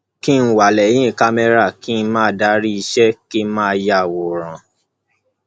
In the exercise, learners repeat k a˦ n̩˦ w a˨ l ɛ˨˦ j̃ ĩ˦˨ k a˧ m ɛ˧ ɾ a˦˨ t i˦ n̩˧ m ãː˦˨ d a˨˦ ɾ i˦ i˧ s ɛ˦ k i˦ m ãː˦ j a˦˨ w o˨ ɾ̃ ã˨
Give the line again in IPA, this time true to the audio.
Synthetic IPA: k i˦ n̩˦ w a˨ l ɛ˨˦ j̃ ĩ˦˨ k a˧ m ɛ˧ ɾ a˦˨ k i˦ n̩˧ m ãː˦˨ d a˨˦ ɾ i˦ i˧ ʃ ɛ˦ k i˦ m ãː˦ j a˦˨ w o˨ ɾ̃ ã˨